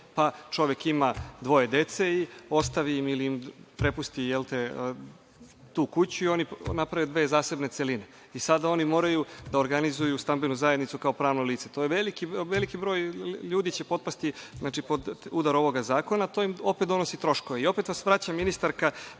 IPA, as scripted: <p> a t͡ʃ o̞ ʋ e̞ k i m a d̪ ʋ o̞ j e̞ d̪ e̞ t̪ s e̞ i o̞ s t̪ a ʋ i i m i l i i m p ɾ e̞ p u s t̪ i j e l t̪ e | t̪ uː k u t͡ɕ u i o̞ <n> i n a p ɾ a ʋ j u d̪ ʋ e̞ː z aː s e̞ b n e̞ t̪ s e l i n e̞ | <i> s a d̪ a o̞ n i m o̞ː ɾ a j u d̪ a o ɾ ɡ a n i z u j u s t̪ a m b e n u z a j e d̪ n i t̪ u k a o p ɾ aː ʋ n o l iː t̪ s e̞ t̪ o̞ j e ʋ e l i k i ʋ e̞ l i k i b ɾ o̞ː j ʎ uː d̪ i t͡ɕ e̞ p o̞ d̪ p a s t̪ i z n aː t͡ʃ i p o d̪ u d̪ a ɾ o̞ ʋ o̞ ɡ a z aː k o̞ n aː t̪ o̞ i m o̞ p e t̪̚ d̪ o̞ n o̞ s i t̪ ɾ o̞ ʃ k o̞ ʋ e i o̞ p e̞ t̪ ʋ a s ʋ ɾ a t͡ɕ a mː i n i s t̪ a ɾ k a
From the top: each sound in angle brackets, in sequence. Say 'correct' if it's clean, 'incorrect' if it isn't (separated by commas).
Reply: correct, correct, correct